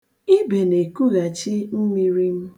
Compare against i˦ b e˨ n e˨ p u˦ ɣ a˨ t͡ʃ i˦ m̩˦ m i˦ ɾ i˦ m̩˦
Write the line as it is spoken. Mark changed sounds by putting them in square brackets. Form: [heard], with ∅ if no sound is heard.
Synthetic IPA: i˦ b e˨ n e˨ [k] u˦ ɣ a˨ t͡ʃ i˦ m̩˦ m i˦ ɾ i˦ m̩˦

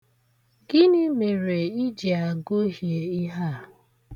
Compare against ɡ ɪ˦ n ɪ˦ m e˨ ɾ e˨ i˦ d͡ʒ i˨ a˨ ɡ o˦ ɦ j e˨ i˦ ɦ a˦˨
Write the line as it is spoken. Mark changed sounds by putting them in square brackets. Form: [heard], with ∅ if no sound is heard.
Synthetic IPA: ɡ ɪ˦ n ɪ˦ m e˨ ɾ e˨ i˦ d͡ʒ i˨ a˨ ɡ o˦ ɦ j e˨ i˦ ɦ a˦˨

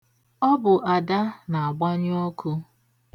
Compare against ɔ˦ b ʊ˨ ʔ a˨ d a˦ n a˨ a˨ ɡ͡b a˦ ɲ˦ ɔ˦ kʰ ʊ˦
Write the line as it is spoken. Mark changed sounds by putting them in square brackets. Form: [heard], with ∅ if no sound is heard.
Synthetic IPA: ɔ˦ b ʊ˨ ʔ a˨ d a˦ n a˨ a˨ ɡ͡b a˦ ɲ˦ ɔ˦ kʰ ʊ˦

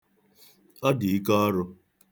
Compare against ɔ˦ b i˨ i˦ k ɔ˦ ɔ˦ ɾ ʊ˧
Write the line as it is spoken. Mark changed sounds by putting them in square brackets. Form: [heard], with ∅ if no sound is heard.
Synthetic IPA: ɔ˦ [d] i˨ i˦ k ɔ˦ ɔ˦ ɾ ʊ˧

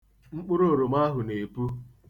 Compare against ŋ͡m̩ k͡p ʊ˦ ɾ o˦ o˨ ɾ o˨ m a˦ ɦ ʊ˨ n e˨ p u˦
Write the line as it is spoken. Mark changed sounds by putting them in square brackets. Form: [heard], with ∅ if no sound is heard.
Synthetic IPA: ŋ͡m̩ k͡p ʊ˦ ɾ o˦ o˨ ɾ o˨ m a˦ ɦ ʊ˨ n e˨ p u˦

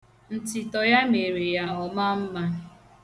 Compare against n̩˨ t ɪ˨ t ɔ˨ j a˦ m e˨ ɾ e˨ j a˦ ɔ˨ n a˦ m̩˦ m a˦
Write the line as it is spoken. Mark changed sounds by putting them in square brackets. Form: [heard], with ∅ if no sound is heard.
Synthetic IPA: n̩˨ t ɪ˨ t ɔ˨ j a˦ m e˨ ɾ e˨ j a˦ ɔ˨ [m] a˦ m̩˦ m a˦

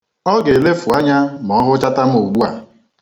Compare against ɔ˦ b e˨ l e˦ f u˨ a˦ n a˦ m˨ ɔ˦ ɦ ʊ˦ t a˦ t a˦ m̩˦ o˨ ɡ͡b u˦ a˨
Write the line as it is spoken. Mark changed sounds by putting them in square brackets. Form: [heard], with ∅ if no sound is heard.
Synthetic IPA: ɔ˦ [ɡ] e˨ l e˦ f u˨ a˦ [ɲ] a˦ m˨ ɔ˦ ɦ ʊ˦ [t͡ʃ] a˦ t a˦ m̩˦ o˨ ɡ͡b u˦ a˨

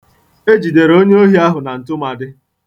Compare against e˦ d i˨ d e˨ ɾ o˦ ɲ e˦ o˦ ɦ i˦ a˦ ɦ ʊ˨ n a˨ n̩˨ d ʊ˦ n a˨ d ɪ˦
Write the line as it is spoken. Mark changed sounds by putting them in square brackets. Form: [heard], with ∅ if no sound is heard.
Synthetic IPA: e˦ [d͡ʒ] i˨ d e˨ ɾ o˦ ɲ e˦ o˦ ɦ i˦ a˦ ɦ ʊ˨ n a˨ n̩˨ [t] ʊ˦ [m] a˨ d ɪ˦

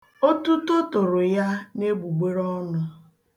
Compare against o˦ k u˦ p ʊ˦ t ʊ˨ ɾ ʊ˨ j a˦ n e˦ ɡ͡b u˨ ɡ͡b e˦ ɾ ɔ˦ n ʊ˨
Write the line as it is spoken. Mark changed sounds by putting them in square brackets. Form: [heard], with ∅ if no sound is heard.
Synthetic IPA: o˦ [t] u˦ [t] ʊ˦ t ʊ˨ ɾ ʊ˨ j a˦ n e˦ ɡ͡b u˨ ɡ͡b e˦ ɾ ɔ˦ n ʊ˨

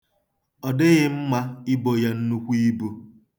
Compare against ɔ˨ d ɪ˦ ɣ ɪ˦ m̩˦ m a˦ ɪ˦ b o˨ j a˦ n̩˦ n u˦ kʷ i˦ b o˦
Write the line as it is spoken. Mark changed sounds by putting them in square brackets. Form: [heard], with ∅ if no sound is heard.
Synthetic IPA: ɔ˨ d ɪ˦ ɣ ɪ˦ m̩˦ m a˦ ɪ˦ b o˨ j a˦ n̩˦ n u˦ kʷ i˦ b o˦

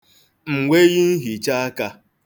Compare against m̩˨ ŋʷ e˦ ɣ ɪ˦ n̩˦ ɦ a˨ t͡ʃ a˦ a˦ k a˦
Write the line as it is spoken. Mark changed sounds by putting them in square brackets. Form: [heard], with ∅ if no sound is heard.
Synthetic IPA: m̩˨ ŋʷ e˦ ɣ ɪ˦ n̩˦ ɦ [i˨] t͡ʃ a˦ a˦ k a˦

